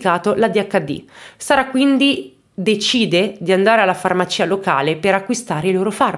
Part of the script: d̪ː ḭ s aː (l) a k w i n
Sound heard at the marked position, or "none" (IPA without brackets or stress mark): ɾ